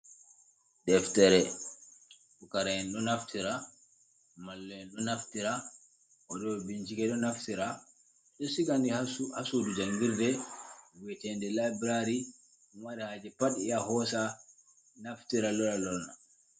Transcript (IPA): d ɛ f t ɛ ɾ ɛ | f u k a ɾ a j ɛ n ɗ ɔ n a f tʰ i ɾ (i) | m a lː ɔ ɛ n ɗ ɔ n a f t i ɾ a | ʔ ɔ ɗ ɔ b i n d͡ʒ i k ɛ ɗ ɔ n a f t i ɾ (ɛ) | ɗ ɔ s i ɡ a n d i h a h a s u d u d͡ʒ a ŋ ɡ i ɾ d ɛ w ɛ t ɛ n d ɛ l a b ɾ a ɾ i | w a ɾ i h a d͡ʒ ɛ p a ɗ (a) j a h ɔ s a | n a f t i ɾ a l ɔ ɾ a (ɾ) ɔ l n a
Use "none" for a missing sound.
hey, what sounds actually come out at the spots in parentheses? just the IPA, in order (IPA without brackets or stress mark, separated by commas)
a, a, i, l